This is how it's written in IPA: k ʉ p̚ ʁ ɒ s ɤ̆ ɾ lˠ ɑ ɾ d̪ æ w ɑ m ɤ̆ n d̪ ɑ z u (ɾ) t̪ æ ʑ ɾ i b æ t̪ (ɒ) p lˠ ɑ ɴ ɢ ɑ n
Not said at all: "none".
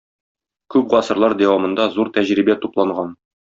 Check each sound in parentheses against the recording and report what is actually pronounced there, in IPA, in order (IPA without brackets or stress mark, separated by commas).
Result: ɾ, u